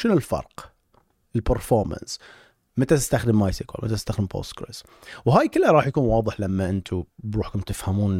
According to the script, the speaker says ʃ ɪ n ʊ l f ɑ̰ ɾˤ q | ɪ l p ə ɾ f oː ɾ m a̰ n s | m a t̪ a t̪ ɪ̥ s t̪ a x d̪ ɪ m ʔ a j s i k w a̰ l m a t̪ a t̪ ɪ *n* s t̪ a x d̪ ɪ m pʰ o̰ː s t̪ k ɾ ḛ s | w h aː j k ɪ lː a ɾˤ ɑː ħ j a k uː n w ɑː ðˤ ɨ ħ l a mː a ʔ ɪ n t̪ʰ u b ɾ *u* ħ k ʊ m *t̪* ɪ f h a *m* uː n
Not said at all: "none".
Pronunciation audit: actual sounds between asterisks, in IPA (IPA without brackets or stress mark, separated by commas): none, uː, t̪, m